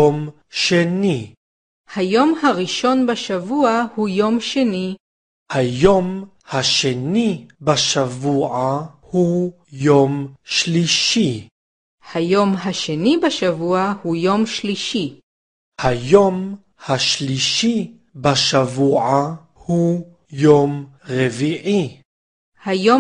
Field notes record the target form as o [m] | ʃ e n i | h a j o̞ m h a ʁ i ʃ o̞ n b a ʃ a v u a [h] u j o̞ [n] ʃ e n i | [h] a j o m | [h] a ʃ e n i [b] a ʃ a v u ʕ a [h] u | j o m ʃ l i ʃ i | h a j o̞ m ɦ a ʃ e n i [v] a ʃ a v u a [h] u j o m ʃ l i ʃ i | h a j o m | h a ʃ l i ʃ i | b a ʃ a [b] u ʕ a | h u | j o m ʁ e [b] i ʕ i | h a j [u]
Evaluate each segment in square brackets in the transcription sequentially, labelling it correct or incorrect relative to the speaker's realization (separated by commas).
correct, correct, incorrect, correct, correct, correct, correct, incorrect, correct, incorrect, incorrect, incorrect